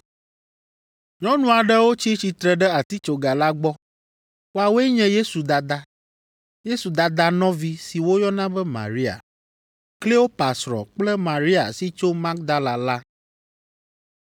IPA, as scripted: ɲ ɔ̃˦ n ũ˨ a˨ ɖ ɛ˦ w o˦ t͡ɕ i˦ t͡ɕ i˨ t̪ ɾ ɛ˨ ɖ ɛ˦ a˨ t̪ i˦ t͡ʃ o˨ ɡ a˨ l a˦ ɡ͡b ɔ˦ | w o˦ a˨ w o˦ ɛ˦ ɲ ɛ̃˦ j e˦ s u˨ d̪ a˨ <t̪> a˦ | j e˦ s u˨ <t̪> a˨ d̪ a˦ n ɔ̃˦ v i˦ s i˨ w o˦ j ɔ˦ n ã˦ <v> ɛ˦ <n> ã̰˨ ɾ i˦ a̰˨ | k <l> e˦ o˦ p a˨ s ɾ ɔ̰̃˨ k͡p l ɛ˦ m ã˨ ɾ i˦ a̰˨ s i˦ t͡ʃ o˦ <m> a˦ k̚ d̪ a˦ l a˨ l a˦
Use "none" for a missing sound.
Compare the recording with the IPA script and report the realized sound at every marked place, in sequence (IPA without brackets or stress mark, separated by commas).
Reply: d̪, d̪, b, m, l, m